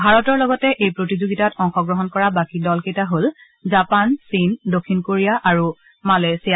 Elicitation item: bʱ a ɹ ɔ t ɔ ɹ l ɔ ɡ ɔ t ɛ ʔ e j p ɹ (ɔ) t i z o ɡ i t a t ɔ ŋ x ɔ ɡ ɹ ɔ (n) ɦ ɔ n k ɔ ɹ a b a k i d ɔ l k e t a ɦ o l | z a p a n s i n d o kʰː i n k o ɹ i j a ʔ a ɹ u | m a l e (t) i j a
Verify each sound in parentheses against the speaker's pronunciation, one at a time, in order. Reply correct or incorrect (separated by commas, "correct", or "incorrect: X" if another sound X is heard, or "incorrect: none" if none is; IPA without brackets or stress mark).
incorrect: o, incorrect: none, incorrect: s